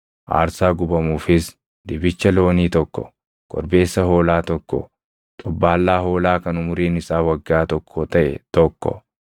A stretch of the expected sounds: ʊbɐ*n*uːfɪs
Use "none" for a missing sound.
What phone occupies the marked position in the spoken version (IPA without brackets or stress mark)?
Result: m